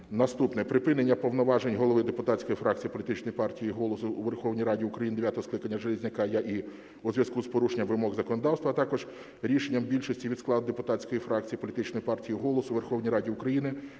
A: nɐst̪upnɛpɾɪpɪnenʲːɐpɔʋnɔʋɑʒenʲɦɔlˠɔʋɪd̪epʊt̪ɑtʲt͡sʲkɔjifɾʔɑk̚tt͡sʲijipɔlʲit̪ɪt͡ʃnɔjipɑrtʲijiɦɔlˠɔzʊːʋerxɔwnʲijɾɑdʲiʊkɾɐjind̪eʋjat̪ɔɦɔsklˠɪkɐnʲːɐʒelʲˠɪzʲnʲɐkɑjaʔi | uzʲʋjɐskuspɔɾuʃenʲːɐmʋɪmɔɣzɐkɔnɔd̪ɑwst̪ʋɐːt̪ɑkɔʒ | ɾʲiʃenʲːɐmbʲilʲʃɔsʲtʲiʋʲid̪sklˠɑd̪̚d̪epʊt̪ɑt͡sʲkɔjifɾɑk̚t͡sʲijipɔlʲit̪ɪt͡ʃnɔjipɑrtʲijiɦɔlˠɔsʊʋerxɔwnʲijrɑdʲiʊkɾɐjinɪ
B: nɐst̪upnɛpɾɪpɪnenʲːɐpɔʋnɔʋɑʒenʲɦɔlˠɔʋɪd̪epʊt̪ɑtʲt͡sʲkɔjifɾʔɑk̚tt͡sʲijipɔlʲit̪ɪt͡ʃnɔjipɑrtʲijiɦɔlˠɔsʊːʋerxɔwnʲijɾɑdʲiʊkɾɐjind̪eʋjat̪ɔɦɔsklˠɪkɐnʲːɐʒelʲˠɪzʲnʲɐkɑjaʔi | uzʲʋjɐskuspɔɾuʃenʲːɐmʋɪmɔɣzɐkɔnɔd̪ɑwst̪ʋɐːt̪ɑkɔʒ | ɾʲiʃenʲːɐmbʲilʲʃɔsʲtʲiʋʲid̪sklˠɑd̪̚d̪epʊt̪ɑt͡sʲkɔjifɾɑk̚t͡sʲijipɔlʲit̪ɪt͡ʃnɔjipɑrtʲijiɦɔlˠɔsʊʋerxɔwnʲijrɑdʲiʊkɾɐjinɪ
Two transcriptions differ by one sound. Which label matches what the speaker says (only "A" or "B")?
B